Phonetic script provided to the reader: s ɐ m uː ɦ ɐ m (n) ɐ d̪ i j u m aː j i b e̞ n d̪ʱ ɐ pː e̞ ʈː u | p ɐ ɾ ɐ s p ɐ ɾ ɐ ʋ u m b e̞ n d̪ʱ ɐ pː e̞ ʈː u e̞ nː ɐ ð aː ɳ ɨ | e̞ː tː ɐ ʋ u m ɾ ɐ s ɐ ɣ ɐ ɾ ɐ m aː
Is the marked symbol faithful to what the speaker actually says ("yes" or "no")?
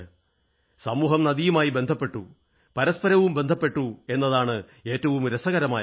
yes